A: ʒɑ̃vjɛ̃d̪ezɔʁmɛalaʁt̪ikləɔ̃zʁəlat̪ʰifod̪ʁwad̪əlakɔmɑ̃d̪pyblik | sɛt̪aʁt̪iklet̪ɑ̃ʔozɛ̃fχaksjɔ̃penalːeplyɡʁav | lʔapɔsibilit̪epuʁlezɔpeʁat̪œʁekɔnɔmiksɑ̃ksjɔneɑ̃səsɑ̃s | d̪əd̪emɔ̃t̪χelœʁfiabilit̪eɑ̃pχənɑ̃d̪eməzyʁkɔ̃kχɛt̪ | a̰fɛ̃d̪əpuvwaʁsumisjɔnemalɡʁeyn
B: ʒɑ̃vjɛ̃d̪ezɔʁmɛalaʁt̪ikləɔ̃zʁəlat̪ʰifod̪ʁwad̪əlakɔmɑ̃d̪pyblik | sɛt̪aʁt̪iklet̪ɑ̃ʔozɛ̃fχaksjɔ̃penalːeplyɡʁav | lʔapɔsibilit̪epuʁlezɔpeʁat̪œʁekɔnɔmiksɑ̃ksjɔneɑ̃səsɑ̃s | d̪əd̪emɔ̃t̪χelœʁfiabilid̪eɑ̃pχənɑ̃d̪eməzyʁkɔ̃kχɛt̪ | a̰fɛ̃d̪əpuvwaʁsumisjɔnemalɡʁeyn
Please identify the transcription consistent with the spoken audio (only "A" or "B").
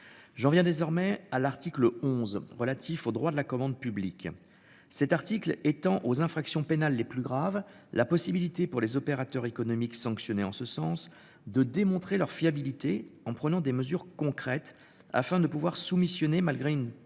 A